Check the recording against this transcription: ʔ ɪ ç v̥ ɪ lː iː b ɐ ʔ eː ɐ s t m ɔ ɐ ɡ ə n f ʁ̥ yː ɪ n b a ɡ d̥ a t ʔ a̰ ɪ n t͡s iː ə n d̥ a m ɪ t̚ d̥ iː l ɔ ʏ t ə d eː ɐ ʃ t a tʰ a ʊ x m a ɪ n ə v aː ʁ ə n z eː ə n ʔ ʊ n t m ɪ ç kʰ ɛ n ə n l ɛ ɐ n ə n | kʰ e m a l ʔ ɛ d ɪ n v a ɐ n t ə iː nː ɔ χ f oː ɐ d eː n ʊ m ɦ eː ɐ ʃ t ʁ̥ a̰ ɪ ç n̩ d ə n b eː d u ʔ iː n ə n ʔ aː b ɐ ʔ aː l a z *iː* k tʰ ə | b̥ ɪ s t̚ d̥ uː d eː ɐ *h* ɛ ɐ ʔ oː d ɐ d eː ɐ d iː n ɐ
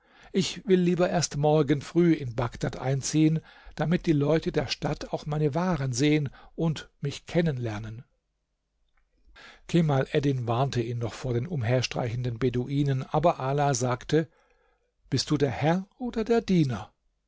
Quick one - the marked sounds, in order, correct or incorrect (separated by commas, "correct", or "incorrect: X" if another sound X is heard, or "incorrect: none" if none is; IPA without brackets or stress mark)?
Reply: incorrect: aː, correct